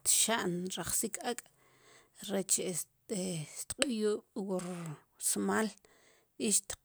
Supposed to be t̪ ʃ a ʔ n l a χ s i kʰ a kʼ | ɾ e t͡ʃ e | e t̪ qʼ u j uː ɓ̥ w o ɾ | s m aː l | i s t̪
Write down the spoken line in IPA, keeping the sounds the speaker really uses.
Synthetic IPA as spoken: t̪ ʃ a ʔ n ɾ a χ s i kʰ a kʼ | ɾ e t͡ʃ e | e t̪ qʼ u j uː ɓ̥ w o ɾ | s m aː l | i ʃ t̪